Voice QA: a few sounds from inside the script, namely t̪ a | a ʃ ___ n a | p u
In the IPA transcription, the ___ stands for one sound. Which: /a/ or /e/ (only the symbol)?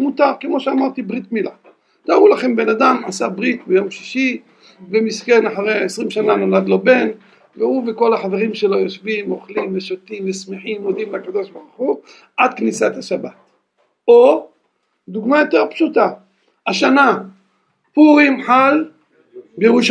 a